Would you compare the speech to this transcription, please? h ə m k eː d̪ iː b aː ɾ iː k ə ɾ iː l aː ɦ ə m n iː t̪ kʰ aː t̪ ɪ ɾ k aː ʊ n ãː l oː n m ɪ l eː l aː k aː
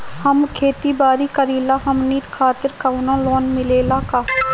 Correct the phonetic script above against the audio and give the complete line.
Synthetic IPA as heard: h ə m kʰ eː t̪ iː b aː ɾ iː k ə ɾ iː l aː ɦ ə m n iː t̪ kʰ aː t̪ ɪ ɾ k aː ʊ n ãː l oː n m ɪ l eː l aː k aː